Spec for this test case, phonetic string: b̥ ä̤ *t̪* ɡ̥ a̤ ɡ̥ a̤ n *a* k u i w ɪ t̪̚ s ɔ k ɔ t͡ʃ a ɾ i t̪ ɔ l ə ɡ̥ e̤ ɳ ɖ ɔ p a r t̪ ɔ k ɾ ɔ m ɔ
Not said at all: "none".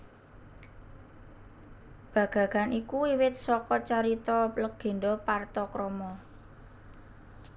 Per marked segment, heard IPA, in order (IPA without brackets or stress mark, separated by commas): none, i